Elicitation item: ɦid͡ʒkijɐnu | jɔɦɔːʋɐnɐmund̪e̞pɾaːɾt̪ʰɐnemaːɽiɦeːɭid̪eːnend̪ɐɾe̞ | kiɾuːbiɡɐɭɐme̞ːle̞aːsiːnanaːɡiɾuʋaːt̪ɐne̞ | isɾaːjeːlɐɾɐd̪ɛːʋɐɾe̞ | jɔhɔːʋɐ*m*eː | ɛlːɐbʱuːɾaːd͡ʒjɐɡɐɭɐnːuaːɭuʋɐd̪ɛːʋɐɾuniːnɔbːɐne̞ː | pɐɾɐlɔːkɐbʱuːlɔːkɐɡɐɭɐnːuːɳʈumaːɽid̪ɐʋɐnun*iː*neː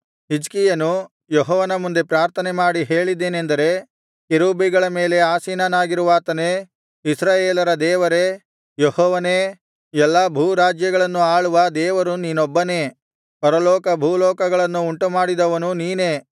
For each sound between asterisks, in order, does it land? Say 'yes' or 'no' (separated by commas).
no, yes